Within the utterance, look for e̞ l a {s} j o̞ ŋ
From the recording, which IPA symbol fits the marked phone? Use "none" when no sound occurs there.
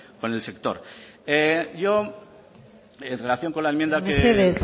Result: θ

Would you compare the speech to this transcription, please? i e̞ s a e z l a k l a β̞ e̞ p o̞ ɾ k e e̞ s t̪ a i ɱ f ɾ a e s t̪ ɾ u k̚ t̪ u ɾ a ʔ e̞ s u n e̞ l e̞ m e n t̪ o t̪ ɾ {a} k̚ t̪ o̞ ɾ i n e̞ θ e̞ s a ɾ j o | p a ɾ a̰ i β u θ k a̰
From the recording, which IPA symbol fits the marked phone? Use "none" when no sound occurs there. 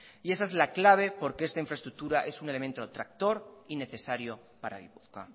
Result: a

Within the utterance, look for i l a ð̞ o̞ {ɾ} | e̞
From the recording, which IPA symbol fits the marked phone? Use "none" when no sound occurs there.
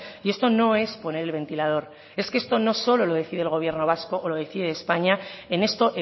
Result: ɾ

